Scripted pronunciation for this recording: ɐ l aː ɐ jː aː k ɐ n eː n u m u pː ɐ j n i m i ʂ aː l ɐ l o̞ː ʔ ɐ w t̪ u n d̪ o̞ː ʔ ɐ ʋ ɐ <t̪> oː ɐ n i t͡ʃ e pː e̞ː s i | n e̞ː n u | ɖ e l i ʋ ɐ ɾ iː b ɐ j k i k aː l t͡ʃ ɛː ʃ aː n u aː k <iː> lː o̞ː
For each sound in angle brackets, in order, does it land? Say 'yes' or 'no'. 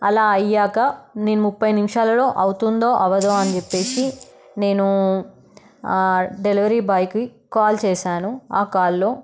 no, no

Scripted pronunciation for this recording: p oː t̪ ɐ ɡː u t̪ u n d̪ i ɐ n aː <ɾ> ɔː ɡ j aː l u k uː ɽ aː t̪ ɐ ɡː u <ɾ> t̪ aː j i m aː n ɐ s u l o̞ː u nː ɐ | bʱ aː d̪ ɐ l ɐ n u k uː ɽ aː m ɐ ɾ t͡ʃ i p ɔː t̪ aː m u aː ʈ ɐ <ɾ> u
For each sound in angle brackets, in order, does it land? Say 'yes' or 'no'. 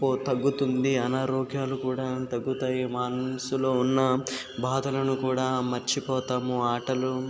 yes, no, no

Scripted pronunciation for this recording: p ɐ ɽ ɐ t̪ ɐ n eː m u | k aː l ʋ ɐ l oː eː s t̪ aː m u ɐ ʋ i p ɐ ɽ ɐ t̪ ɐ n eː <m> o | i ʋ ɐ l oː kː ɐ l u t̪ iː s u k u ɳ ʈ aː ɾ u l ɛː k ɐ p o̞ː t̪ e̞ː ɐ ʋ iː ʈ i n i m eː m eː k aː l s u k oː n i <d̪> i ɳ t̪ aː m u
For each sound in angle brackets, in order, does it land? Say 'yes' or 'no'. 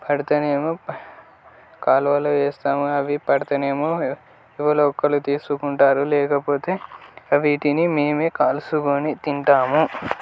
yes, no

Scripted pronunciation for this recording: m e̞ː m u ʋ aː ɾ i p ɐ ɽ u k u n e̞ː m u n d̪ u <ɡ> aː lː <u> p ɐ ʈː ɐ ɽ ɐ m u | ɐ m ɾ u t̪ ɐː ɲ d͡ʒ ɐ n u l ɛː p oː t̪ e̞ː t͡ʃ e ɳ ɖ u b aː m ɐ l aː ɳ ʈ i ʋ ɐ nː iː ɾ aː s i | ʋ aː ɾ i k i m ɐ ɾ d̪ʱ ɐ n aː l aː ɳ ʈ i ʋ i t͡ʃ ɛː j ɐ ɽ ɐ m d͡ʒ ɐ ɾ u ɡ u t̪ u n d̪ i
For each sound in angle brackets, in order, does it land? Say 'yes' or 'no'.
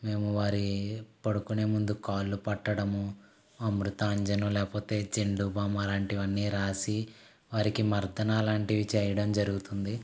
no, yes

